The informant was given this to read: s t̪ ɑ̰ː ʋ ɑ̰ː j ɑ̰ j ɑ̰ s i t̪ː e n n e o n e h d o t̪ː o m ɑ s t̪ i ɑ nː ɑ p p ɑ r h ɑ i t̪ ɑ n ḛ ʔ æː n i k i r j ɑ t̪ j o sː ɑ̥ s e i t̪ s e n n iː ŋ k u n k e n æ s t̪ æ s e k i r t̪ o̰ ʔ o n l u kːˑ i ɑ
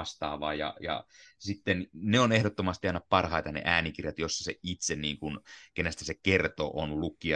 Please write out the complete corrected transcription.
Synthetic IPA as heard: s t̪ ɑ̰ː ʋ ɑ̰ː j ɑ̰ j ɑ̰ s i t̪ː e n n e o n e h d o t̪ː o m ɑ s t̪ i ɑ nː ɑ p p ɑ r h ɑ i t̪ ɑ n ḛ ʔ æː n i k i r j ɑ t̪ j o sː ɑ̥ s e i t̪ s e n n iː ŋ k u n k e n æ s t̪ æ s e k e r t̪ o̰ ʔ o n l u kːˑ i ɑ